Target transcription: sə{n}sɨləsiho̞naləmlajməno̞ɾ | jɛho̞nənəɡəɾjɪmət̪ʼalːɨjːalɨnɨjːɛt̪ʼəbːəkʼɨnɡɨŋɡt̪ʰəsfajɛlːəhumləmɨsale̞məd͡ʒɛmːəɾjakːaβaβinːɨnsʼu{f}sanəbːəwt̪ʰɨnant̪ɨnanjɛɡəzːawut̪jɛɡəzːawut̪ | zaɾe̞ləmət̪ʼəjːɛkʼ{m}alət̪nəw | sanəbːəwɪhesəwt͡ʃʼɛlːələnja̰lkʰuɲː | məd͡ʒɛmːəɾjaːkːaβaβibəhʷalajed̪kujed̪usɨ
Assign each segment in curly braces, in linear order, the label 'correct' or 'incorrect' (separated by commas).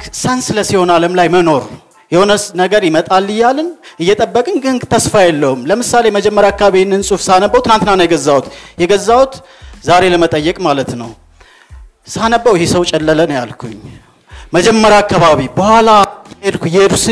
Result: correct, correct, correct